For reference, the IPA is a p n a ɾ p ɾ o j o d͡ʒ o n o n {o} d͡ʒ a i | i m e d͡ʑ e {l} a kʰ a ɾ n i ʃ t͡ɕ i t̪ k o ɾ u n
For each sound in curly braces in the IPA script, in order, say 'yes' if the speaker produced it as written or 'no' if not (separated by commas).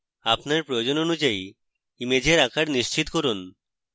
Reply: no, no